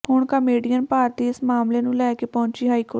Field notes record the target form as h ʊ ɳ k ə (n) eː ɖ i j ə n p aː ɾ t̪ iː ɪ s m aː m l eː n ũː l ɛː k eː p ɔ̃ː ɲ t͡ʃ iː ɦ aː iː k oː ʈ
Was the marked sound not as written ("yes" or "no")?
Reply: yes